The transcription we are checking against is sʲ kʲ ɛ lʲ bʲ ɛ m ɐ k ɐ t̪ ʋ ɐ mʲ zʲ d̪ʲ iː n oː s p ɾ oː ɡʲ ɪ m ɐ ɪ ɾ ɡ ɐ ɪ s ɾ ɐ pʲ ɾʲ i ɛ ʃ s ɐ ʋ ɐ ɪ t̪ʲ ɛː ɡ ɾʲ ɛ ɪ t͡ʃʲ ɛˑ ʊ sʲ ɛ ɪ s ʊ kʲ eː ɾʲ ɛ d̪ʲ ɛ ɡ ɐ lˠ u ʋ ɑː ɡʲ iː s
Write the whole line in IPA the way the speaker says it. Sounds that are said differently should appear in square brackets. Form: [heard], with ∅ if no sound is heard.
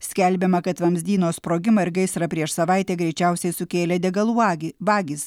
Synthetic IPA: sʲ kʲ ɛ lʲ bʲ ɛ m ɐ k ɐ t̪ ʋ ɐ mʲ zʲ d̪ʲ iː n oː s p ɾ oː ɡʲ ɪ m ɐ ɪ ɾ ɡ ɐ ɪ s ɾ ɐ pʲ ɾʲ i ɛ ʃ s ɐ ʋ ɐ ɪ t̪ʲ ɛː ɡ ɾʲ ɛ ɪ t͡ʃʲ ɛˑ ʊ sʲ ɛ ɪ s ʊ kʲ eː [lʲ] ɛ d̪ʲ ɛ ɡ ɐ lˠ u ʋ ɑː ɡʲ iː s